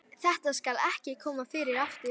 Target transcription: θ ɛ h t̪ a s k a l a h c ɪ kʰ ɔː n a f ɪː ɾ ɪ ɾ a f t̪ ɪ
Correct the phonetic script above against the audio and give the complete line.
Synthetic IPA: θ ɛ h t̪ a s k a l ɛ h c ɪ kʰ ɔː m a f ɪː ɾ ɪ ɾ a f t̪ ɪ